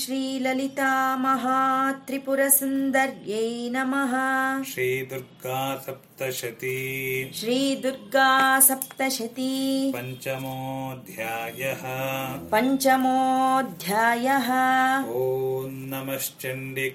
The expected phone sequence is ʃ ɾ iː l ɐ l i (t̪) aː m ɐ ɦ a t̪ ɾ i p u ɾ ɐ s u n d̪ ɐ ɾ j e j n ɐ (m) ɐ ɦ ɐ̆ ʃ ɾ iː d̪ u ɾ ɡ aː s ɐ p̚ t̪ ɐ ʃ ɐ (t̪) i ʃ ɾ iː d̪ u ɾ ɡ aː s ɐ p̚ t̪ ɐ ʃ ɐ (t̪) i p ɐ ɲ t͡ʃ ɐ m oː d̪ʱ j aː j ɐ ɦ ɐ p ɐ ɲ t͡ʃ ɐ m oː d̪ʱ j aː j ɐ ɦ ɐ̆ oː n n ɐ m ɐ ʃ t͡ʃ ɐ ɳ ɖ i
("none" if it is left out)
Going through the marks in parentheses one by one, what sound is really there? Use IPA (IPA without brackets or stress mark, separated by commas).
t̪, m, t̪, t̪